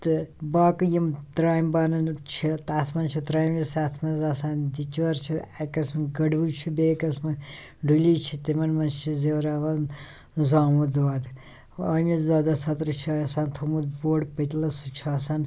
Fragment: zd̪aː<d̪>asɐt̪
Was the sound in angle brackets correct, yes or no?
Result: yes